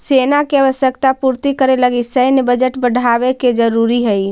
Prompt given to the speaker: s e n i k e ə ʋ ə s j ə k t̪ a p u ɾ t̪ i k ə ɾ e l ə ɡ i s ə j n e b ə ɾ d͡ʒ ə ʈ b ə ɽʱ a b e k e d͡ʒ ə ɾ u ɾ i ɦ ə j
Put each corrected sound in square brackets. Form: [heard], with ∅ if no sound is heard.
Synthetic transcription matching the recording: s e n [a] k e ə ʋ ə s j ə k t̪ a p u ɾ t̪ i k ə ɾ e l ə ɡ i s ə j n e b ə [∅] d͡ʒ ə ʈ b ə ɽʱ a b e k e d͡ʒ ə ɾ u ɾ i ɦ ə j